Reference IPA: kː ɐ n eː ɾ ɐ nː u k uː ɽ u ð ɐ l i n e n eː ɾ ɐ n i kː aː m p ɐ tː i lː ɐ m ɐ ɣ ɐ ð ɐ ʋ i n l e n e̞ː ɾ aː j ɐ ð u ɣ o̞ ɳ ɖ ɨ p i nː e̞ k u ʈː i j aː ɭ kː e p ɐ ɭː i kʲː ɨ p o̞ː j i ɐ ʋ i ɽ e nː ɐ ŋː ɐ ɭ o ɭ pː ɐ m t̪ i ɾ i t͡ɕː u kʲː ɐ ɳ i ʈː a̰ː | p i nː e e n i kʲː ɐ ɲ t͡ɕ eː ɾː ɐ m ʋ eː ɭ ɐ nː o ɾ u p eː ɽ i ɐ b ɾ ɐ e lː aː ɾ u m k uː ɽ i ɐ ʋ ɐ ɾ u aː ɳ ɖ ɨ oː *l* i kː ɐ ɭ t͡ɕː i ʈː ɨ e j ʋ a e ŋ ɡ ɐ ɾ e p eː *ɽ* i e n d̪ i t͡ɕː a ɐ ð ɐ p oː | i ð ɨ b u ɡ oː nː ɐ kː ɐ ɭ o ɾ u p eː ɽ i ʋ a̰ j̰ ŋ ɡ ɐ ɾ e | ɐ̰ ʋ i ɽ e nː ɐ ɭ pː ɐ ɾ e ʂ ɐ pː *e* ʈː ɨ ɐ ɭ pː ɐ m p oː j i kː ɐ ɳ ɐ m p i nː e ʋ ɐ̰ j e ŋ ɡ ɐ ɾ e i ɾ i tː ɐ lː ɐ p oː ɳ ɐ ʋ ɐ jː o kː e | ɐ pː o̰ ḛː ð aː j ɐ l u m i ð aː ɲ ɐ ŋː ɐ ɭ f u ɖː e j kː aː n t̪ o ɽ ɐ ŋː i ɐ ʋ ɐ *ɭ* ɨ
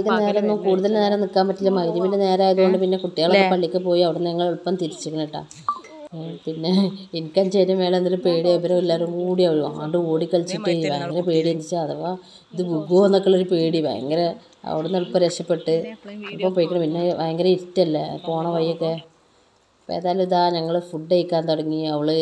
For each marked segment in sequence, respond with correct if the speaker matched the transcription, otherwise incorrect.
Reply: incorrect, correct, correct, correct

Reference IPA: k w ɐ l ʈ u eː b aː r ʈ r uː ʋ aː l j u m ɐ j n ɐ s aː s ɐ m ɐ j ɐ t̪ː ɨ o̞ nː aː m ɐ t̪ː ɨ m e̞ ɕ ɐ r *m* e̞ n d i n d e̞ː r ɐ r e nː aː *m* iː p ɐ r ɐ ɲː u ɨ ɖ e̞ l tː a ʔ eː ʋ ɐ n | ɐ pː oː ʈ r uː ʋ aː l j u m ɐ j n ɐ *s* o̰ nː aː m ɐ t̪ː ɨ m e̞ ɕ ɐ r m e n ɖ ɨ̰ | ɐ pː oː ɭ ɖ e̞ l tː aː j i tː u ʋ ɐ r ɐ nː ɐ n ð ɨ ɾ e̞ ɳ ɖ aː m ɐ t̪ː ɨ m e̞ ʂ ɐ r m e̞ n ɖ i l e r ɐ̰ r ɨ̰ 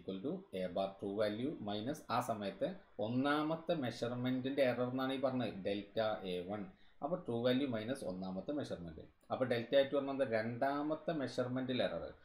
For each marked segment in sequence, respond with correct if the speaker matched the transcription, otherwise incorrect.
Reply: correct, incorrect, correct

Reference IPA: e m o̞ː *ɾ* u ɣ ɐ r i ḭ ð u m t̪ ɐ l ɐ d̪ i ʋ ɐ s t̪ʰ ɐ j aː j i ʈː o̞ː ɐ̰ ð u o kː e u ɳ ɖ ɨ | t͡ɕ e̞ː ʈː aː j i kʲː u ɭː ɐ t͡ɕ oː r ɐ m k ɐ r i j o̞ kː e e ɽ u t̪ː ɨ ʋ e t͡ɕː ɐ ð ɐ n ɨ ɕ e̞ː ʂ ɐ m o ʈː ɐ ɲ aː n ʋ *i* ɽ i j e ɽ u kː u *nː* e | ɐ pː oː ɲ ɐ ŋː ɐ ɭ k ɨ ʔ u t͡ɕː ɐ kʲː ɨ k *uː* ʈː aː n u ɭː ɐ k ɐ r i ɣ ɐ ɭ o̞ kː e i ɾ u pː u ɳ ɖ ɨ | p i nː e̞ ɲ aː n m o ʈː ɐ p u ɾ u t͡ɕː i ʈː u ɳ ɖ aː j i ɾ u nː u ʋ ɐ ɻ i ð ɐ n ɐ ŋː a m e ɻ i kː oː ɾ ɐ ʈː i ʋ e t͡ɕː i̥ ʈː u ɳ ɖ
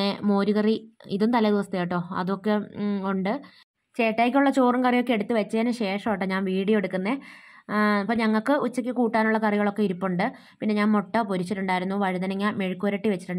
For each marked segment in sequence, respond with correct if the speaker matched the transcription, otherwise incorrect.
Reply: correct, incorrect, correct, correct

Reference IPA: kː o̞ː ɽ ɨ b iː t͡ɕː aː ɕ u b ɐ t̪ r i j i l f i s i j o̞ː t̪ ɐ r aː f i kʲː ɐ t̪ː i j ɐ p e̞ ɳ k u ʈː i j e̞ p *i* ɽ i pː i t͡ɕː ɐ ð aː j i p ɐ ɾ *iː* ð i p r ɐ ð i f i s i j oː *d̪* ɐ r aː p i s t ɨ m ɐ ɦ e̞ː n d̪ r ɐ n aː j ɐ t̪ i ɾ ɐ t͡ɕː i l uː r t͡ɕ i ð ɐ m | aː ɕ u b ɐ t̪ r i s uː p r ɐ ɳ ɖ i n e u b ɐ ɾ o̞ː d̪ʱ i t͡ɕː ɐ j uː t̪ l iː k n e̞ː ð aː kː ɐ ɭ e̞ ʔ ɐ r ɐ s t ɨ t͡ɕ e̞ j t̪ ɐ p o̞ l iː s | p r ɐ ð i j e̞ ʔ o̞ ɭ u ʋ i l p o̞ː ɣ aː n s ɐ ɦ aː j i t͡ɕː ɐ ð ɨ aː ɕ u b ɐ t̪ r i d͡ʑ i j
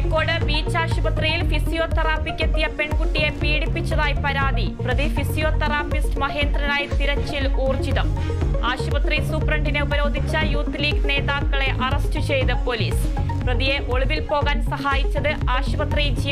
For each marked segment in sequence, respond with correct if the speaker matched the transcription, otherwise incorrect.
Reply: incorrect, incorrect, incorrect

